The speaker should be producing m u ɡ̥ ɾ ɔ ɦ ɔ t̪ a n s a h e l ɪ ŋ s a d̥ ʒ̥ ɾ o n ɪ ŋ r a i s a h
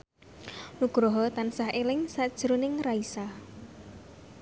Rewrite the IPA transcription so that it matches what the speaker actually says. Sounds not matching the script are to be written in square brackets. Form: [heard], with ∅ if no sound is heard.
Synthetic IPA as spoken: [n] u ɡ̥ ɾ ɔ ɦ ɔ t̪ a n s a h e l ɪ ŋ s a d̥ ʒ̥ ɾ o n ɪ ŋ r a i s a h